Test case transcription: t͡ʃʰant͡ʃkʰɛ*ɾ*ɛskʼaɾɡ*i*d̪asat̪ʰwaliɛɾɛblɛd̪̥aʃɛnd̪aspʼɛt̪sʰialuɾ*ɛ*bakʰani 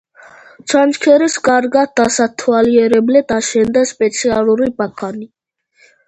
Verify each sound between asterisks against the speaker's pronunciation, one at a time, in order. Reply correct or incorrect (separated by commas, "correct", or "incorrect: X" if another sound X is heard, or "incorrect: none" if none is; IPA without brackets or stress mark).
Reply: correct, incorrect: a, incorrect: i